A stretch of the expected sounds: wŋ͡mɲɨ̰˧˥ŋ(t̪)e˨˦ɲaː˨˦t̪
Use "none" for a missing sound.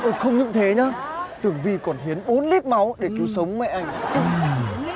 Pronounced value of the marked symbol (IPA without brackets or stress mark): t̪ʰ